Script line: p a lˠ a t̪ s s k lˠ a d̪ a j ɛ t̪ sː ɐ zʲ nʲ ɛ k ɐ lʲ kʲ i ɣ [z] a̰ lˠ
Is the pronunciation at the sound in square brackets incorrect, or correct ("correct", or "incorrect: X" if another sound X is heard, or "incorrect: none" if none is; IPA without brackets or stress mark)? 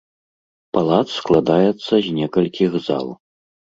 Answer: correct